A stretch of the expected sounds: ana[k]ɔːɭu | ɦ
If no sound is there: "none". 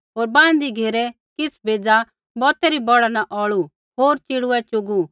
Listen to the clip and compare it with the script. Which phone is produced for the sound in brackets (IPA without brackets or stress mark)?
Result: ʔ